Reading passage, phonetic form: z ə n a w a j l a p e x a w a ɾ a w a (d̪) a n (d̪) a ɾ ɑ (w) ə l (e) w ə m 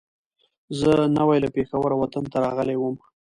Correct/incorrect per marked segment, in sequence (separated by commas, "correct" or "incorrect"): incorrect, incorrect, incorrect, correct